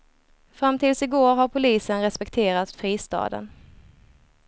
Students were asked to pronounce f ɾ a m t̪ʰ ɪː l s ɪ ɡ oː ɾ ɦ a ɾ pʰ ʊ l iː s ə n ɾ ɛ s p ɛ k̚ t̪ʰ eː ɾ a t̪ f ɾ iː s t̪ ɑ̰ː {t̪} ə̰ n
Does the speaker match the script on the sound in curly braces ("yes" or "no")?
no